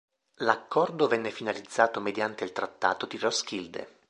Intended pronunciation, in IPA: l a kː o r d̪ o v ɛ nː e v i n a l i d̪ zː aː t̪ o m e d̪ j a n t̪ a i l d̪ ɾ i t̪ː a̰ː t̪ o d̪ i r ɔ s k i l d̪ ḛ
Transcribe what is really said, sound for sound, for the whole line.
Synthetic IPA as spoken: l a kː ɔ r d̪ o v ɛ nː e f i n a l i d̪ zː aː t̪ o m e d̪ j a n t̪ e i l t̪ ɾ a t̪ː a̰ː t̪ o d̪ i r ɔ s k i l d̪ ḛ